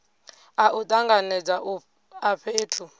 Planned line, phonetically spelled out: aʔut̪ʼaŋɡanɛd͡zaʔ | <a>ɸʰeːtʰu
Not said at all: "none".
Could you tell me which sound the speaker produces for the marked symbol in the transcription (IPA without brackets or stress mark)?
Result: a